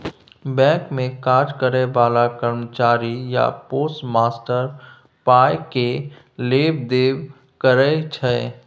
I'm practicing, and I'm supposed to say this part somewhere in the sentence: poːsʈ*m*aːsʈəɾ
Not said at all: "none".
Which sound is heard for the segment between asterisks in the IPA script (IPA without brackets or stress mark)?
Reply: m